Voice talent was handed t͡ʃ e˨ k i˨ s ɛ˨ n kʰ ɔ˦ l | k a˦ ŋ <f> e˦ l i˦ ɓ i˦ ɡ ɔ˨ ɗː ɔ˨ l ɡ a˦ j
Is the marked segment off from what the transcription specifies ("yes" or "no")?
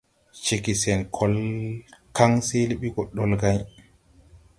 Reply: yes